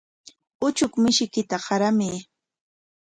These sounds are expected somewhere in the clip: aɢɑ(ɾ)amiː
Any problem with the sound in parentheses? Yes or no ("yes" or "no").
no